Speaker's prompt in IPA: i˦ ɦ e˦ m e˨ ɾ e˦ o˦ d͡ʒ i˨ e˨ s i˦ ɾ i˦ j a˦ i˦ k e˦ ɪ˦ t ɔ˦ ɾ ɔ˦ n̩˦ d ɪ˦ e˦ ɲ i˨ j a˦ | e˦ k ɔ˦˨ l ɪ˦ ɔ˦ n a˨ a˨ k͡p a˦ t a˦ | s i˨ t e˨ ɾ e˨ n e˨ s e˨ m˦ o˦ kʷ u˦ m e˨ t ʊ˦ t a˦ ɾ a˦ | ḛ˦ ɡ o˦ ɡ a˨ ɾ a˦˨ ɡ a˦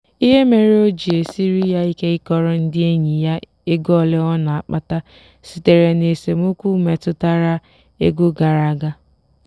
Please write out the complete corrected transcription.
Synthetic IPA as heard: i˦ ɦ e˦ m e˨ ɾ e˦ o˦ d͡ʒ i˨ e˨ s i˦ ɾ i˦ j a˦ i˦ k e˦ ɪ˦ k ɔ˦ ɾ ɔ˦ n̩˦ d ɪ˦ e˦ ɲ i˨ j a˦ | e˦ ɡ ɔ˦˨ l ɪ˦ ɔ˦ n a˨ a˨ k͡p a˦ t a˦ | s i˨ t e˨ ɾ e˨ n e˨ s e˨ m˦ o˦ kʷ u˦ m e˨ t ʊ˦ t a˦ ɾ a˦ | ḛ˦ ɡ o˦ ɡ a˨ ɾ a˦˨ ɡ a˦